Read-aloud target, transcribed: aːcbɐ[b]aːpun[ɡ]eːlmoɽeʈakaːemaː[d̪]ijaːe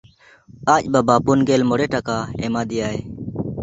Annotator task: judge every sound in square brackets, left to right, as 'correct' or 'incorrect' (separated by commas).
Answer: correct, correct, correct